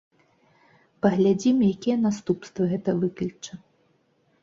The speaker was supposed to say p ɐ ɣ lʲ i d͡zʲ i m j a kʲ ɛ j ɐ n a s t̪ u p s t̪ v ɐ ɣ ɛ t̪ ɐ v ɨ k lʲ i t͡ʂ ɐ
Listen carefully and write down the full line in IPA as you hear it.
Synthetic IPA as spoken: p ɐ ɣ lʲ a d͡zʲ i m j a kʲ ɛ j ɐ n a s t̪ u p s t̪ v ɐ ɣ ɛ t̪ ɐ v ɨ k lʲ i t͡ʂ ɐ